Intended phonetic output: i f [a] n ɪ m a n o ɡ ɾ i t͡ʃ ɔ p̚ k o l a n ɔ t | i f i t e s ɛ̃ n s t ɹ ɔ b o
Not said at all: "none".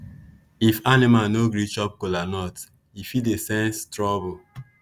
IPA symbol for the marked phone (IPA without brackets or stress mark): a